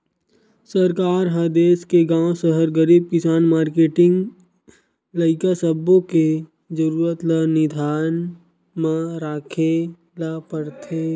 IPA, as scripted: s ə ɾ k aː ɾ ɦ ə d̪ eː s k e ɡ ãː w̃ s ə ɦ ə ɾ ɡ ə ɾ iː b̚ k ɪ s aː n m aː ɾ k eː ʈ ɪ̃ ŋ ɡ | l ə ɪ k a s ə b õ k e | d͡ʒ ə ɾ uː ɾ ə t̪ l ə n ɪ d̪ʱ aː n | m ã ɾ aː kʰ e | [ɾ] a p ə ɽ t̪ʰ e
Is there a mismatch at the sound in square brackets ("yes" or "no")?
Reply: yes